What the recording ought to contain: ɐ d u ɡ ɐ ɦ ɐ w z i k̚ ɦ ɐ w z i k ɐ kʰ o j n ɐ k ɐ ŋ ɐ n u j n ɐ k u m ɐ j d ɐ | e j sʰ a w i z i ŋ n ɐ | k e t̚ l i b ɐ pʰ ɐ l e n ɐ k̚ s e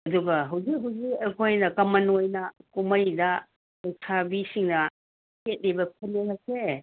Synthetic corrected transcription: ɐ d u ɡ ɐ ɦ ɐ w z i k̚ ɦ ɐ w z i k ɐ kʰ o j n ɐ k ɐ m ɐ n o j n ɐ k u m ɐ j d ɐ | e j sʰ a b i s i ŋ n ɐ | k e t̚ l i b ɐ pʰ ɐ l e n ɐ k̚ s e